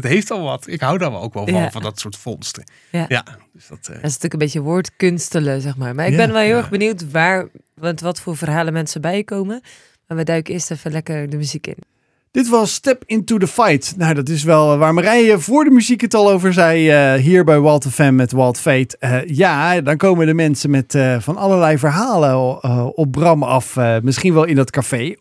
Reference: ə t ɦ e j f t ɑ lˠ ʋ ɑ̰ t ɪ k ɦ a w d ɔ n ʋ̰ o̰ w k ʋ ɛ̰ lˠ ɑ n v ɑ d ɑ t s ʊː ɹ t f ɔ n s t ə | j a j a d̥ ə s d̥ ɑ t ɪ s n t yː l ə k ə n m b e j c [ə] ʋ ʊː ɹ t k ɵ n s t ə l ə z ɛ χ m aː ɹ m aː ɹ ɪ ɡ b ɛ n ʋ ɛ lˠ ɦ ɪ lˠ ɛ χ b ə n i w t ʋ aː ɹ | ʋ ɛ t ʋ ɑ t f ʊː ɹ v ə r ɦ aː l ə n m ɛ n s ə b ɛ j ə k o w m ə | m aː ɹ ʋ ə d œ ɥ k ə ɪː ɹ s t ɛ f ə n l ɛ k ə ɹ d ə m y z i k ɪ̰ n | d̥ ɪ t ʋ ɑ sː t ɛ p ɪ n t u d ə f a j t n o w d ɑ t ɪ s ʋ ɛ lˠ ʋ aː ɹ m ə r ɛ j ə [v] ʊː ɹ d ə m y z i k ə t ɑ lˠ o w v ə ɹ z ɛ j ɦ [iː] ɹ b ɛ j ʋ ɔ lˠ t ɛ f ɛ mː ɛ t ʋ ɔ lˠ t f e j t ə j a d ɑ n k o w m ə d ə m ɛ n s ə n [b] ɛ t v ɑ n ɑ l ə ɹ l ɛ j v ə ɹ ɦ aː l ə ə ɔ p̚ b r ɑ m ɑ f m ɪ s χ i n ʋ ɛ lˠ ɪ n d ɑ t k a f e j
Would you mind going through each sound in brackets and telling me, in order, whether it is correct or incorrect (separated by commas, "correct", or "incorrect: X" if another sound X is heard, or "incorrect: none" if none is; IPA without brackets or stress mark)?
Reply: correct, correct, correct, incorrect: m